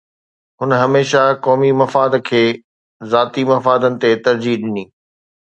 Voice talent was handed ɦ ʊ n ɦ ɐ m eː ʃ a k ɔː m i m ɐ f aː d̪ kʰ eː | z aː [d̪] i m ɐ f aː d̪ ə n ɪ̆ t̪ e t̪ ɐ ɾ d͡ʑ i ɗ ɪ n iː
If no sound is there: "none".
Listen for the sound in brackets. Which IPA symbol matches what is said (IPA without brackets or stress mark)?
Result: t̪